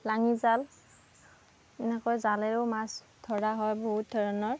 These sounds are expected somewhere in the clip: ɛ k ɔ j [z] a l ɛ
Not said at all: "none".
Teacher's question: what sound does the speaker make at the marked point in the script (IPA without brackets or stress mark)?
z